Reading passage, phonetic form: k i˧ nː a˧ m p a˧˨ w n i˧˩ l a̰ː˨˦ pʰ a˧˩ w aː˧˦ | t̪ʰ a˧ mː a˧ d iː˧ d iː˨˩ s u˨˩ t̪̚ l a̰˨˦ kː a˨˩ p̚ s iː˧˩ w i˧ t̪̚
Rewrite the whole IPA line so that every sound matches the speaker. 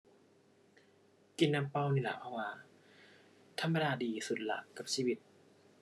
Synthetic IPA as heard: k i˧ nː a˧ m p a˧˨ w n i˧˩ l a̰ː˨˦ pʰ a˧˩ w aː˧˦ | t̪ʰ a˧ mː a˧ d aː˧ d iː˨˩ s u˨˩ t̪̚ l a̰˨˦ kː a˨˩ p̚ s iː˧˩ w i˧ t̪̚